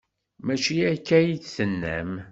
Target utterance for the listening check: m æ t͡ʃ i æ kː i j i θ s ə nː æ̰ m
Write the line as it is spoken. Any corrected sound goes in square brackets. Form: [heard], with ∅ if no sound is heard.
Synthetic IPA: m æ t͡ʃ i æ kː [æ] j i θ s ə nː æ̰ m